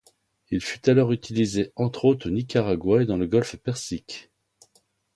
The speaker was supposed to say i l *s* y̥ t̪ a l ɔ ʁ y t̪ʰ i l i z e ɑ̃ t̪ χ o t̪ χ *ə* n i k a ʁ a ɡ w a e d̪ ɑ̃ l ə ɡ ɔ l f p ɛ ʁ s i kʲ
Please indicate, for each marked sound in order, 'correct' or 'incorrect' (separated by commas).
incorrect, correct